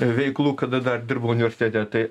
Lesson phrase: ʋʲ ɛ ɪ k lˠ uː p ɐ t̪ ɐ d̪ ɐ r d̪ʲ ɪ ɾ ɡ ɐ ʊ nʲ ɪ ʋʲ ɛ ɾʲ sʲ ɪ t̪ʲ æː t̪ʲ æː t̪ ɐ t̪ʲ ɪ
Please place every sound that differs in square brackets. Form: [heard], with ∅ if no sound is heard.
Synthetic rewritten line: ʋʲ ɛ ɪ k lˠ uː [k] ɐ [d̪] ɐ d̪ ɐ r d̪ʲ ɪ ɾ [b] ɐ ʊ nʲ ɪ ʋʲ ɛ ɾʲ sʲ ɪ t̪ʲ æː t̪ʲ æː t̪ ɐ [∅] ɪ

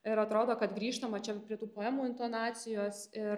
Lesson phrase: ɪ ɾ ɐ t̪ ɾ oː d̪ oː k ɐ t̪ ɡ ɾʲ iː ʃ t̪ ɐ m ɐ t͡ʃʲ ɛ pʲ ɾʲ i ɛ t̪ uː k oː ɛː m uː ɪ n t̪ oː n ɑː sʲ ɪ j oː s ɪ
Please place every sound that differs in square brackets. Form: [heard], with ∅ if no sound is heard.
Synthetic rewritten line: ɪ ɾ ɐ t̪ ɾ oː d̪ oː k ɐ t̪ ɡ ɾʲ iː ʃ t̪ ɐ m ɐ t͡ʃʲ ɛ pʲ ɾʲ i ɛ t̪ uː [p] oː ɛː m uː ɪ n t̪ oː n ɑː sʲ ɪ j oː s ɪ

